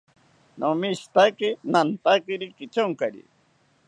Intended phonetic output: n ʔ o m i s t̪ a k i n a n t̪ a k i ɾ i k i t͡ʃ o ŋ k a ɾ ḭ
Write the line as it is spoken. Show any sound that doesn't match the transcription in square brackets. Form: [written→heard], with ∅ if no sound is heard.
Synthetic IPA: n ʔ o m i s t̪ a k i n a n t̪ a k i ɾ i k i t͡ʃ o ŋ k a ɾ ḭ

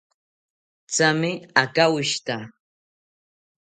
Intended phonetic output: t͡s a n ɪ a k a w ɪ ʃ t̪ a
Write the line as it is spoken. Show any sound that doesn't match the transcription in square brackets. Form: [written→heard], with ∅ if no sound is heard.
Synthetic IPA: t͡s a [n→m] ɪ a k a w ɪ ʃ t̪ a

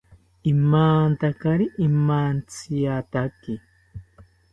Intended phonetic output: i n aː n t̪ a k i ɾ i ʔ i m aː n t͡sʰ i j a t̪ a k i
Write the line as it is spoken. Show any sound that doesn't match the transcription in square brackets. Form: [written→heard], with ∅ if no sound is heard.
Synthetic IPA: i [n→m] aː n t̪ a k [i→a] ɾ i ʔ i m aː n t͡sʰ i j a t̪ a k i

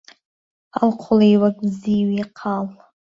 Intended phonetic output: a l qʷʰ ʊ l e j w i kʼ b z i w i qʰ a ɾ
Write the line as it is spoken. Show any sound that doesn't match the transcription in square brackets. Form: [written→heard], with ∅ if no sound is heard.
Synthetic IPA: a l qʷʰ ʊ l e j w [i→a] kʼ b z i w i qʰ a [ɾ→l]

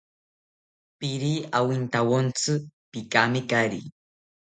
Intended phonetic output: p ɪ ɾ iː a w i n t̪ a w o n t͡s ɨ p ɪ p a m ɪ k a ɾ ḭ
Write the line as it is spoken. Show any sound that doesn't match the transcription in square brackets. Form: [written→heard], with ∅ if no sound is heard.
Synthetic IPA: p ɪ ɾ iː a w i n t̪ a w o n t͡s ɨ p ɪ [p→k] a m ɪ k a ɾ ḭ

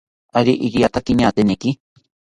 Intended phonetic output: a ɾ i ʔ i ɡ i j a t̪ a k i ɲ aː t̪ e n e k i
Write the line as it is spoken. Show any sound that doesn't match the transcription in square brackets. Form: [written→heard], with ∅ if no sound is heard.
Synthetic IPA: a ɾ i ʔ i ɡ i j a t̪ a k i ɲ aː t̪ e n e k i

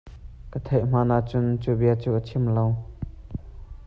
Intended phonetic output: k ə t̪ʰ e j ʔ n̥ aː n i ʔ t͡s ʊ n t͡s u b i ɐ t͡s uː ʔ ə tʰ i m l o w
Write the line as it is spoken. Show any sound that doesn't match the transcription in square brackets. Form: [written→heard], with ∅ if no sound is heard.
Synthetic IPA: k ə t̪ʰ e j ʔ [n̥→m̥] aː n [i→a] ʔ t͡s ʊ n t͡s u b i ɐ t͡s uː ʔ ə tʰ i m l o w

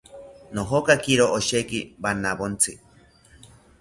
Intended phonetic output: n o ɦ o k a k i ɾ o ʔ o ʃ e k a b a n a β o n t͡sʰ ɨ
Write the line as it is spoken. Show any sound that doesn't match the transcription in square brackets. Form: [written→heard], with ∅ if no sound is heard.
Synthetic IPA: n o ɦ o k a k i ɾ o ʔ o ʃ e k [a→i] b a n a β o n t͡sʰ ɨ

